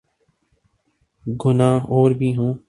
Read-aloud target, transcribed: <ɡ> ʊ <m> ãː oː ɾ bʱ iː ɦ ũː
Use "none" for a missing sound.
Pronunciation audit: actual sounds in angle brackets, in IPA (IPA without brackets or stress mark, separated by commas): ɡ, n